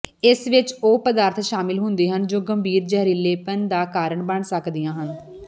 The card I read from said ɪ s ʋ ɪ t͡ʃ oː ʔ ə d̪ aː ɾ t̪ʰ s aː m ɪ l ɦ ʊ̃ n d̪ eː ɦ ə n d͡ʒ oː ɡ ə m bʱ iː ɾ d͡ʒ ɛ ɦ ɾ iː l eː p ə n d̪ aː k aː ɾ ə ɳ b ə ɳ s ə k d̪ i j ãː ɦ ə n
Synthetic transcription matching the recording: ɪ s ʋ ɪ t͡ʃ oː p ə d̪ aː ɾ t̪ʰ ʃ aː m ɪ l ɦ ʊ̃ n d̪ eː ɦ ə n d͡ʒ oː ɡ ə m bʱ iː ɾ d͡ʒ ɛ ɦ ɾ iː l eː p ə n d̪ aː k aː ɾ ə ɳ b ə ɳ s ə k d̪ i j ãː ɦ ə n